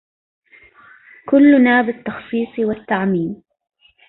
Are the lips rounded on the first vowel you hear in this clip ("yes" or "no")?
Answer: yes